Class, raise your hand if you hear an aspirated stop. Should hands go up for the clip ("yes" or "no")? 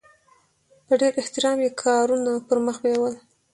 yes